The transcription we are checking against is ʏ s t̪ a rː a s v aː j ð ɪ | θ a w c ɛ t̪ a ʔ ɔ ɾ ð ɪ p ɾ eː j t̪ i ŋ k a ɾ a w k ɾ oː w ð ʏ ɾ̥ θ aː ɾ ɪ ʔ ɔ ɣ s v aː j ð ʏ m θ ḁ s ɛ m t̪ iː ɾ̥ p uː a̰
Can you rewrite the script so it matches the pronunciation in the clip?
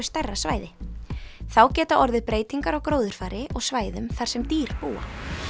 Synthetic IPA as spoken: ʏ s t̪ ɛ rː a s v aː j ð ɪ | θ a w c ɛː t̪ a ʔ ɔ ɾ ð ɪ p ɾ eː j t̪ i ŋ k a ɾ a w k ɾ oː w ð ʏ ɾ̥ f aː ɾ ɪ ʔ ɔ ɣ s v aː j ð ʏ m θ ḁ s ɛ m t̪ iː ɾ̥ p uː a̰